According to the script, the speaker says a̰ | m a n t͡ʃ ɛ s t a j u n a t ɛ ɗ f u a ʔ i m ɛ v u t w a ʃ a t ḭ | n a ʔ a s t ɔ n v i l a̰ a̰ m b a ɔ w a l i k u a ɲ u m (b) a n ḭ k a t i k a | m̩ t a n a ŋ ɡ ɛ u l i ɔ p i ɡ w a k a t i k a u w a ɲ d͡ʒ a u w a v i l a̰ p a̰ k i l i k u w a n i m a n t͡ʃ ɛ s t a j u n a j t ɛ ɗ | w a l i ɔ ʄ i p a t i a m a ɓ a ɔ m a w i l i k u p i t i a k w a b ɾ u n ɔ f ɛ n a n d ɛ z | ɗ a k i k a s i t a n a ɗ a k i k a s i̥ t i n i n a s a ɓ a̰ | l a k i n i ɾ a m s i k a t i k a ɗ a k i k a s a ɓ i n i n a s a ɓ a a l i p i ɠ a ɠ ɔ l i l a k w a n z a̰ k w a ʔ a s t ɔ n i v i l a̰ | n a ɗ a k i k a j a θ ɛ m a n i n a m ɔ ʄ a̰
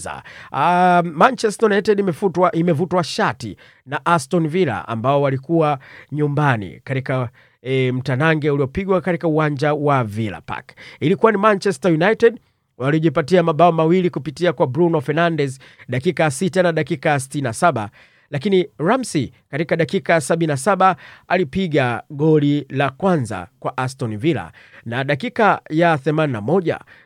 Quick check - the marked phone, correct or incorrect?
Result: correct